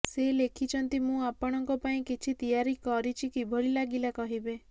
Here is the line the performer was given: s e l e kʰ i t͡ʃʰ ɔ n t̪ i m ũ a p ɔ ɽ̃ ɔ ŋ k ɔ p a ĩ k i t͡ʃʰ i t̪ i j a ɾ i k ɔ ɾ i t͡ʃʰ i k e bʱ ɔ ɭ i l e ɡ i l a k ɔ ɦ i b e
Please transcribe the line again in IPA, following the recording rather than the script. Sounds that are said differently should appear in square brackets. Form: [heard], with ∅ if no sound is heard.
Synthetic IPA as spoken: s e l e kʰ i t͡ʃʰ ɔ n t̪ i m ũ a p ɔ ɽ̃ ɔ ŋ k ɔ p a ĩ k i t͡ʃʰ i t̪ i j a ɾ i k ɔ ɾ i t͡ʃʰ i k [i] bʱ ɔ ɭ i l [a] ɡ i l a k ɔ ɦ i b e